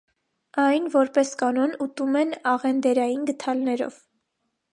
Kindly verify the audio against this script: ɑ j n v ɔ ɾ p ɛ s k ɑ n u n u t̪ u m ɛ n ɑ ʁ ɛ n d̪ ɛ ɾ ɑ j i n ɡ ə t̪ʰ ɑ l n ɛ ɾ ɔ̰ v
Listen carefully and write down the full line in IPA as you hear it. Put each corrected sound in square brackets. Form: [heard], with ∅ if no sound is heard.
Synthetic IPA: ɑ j n v ɔ ɾ p ɛ s k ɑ n [ɔ] n u t̪ u m ɛ n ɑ ʁ ɛ n d̪ ɛ ɾ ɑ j i n ɡ ə t̪ʰ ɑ l n ɛ ɾ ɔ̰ v